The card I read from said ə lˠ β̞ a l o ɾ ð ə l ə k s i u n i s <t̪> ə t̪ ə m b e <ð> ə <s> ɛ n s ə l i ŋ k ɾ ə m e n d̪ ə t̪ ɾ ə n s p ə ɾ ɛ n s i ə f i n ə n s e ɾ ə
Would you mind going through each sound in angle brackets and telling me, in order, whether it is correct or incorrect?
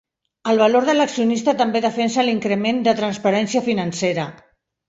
correct, correct, incorrect: f

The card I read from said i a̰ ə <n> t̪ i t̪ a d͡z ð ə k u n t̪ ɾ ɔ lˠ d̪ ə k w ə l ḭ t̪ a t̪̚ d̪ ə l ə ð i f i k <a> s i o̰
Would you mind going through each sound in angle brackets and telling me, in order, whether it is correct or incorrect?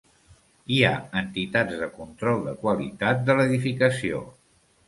correct, incorrect: ə

